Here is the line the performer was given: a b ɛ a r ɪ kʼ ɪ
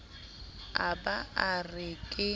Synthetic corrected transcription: a b a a r ɪ kʼ ɪ